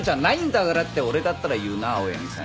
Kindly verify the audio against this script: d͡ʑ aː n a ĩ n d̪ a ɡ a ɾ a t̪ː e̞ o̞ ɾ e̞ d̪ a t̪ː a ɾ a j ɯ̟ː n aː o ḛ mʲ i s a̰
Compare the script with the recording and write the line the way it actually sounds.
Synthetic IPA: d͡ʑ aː n a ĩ n d̪ a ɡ a ɾ a t̪ː e̞ o̞ ɾ e̞ d̪ a t̪ː a ɾ a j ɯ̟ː n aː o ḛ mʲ i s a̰